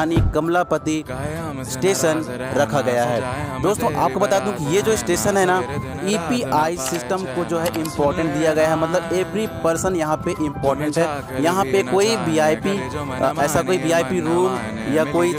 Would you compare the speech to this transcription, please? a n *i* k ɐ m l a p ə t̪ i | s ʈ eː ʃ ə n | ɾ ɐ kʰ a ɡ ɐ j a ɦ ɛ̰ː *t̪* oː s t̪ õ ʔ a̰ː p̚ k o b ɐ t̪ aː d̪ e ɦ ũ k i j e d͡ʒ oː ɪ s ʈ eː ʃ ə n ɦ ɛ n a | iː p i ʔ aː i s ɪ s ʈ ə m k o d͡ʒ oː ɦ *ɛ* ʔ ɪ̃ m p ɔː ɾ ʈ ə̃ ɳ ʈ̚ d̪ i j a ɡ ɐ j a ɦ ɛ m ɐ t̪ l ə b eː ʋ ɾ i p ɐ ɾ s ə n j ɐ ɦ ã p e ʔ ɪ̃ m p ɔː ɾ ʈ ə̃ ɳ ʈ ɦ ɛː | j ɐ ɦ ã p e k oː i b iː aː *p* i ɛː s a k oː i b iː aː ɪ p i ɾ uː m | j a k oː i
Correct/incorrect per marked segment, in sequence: correct, incorrect: d̪, correct, correct

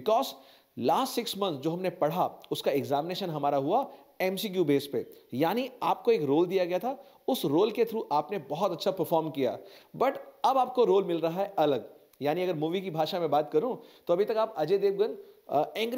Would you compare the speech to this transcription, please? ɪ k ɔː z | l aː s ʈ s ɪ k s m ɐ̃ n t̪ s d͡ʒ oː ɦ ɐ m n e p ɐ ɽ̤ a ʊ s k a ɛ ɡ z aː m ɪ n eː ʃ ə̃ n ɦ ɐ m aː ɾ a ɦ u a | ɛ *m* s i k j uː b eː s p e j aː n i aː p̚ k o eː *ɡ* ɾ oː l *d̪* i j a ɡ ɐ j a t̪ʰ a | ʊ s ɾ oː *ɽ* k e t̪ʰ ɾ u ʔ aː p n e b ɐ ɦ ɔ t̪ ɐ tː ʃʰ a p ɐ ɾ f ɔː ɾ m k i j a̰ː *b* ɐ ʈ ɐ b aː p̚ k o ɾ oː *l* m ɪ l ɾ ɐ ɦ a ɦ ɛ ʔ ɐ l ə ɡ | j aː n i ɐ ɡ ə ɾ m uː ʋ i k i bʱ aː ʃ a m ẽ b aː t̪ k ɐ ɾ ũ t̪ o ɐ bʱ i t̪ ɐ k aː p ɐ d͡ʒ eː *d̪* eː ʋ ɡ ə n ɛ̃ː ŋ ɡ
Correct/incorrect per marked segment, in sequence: correct, incorrect: k, correct, incorrect: l, correct, correct, correct

